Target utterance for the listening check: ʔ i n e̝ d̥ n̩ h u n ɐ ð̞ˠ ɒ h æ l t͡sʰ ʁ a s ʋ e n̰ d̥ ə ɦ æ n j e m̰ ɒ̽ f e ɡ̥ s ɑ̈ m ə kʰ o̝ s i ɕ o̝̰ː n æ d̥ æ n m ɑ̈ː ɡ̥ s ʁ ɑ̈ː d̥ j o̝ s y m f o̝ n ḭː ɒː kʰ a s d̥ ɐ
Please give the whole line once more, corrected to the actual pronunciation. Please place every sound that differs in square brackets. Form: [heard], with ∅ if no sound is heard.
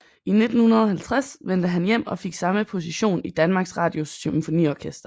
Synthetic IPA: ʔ i n e̝ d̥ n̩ h u n ɐ ð̞ˠ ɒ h æ l t͡sʰ ʁ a s ʋ e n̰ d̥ ə ɦ æ n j e m̰ ɒ̽ f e ɡ̥ s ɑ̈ m ə [pʰ] o̝ s i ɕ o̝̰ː n [i] d̥ æ n m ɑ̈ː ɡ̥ s ʁ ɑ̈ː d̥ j o̝ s y m f o̝ n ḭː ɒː kʰ [e] s d̥ ɐ